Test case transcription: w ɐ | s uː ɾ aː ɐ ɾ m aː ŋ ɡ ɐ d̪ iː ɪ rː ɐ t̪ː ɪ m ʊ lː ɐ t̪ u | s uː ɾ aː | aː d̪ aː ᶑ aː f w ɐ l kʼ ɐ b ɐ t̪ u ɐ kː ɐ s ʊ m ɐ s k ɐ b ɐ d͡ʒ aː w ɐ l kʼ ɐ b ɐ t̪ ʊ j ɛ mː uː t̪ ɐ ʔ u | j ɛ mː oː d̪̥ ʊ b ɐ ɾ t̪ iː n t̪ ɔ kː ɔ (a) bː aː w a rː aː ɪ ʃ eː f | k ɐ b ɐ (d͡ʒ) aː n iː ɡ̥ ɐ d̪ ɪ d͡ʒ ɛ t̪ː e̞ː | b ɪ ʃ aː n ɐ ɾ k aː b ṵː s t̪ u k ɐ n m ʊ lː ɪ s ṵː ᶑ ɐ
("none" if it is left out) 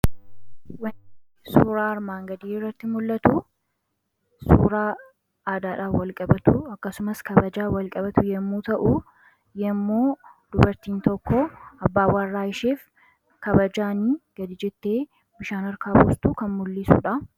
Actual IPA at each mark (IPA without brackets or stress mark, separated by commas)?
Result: ɐ, d͡ʒ